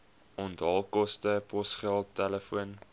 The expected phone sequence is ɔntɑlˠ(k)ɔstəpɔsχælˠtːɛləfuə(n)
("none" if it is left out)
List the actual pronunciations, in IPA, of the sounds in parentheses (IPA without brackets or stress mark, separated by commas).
k, n